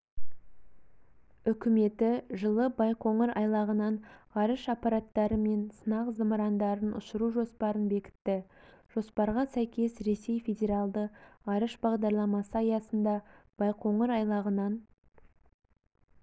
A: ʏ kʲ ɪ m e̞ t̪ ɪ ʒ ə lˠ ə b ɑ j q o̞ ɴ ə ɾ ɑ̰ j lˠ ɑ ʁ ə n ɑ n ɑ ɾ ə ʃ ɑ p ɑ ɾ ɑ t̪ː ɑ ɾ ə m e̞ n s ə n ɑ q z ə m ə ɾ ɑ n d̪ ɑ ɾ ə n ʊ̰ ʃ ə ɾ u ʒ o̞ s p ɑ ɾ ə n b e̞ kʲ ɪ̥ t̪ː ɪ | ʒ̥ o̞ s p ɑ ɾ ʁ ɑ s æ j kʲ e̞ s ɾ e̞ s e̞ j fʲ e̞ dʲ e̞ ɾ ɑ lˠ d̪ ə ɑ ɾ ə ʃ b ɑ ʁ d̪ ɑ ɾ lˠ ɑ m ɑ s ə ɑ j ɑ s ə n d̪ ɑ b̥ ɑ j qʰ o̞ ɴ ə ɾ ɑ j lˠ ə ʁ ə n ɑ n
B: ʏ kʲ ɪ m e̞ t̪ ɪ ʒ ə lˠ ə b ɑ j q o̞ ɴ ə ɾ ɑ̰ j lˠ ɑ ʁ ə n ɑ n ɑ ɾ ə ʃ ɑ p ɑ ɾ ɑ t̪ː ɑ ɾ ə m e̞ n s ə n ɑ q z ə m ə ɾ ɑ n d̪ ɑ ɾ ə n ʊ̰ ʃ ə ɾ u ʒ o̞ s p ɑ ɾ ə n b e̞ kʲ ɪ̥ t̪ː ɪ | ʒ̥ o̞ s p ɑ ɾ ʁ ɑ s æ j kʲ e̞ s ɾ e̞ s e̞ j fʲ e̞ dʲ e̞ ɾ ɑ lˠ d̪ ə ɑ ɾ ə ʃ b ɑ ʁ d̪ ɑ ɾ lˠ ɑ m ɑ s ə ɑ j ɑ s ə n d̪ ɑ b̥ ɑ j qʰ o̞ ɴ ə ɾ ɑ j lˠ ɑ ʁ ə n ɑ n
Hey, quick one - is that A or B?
B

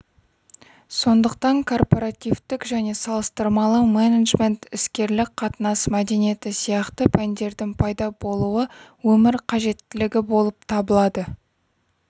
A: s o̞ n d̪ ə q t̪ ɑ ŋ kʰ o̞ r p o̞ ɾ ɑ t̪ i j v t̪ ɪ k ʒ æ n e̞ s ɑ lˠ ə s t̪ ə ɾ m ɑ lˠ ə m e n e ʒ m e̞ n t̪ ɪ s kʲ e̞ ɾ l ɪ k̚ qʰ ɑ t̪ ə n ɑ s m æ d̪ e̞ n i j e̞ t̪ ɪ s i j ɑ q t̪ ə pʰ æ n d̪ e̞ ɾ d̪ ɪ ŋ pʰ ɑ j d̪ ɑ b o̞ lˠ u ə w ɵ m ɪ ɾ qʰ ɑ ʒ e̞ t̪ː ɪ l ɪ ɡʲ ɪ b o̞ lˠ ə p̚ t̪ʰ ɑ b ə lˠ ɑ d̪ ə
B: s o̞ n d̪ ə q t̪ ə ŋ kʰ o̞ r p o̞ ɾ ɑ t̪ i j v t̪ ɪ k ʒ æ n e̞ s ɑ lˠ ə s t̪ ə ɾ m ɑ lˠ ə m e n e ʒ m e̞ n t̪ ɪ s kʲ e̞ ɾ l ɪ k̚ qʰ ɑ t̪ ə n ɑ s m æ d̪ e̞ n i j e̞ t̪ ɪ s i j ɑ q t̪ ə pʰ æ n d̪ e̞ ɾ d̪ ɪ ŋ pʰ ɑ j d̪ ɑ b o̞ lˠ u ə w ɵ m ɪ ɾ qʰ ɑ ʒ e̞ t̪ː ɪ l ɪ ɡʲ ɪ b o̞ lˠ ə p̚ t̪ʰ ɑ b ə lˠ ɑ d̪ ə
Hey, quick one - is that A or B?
A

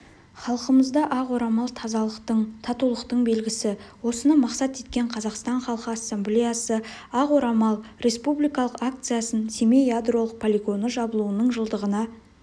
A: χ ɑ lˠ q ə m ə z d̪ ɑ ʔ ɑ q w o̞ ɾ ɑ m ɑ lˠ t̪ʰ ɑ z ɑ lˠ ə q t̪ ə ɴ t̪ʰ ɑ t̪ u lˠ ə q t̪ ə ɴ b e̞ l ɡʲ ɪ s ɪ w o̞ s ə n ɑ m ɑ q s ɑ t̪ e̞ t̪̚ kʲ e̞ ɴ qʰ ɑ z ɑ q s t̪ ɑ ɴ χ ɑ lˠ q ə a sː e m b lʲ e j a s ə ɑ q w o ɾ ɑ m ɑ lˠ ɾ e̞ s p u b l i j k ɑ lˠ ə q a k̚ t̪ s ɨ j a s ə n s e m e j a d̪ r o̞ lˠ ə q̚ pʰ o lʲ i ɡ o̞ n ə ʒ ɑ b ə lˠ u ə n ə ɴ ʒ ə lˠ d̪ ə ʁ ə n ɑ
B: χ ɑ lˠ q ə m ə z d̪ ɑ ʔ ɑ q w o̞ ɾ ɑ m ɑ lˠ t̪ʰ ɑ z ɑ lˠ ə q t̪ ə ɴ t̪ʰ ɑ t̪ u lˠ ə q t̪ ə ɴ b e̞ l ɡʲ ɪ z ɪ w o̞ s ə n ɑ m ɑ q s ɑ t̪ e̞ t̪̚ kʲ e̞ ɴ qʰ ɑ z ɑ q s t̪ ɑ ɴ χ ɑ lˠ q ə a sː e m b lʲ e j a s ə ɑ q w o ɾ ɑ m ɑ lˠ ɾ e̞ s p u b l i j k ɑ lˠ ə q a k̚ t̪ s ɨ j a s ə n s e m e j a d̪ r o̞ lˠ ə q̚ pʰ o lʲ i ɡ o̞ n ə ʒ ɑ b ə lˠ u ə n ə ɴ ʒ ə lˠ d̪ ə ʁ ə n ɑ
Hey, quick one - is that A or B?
A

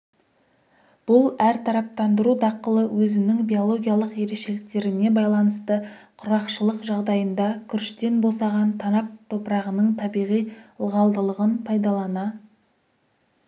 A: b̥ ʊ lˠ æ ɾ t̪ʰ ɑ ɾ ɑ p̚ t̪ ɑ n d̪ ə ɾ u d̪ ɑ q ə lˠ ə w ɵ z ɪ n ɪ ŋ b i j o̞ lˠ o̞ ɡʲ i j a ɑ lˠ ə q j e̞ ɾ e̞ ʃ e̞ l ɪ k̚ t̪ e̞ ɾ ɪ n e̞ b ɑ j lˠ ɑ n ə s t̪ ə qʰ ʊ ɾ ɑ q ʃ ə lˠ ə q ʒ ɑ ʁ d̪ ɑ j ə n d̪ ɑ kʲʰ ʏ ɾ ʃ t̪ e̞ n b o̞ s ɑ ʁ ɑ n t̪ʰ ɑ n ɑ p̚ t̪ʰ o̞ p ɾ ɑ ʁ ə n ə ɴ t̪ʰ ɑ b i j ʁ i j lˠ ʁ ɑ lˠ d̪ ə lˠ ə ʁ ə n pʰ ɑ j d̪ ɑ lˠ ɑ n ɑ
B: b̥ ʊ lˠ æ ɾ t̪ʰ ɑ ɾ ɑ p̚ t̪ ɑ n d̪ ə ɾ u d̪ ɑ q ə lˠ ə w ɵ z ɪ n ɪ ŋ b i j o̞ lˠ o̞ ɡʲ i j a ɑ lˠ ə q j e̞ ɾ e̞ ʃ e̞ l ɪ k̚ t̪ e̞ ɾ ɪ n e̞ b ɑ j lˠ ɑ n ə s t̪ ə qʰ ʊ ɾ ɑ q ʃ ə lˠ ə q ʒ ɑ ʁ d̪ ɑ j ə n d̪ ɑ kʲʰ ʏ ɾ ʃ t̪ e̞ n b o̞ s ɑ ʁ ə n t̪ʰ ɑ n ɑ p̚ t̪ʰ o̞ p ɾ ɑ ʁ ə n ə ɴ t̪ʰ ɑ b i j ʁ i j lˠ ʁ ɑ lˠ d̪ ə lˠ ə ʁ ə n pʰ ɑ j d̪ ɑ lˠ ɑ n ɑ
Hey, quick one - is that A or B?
A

